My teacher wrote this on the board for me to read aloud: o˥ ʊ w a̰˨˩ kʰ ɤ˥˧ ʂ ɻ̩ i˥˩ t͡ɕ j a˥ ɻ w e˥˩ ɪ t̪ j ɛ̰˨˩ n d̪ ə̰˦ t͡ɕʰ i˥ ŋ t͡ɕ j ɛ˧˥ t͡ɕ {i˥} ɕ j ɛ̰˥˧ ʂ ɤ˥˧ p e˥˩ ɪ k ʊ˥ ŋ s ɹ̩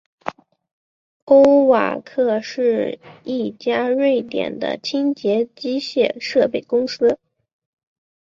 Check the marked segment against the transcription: correct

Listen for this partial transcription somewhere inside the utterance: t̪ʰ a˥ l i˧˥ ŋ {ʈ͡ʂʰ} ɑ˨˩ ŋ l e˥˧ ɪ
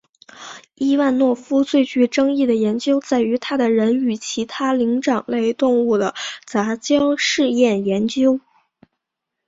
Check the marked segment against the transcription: incorrect: ʈ͡ʂ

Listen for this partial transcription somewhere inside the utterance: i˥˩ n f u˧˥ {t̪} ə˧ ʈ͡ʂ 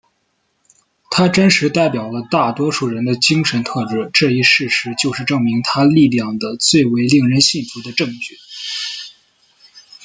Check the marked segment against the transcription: incorrect: d̪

